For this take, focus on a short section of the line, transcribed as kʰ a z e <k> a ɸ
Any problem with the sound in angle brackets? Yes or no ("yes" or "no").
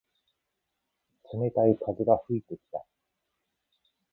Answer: yes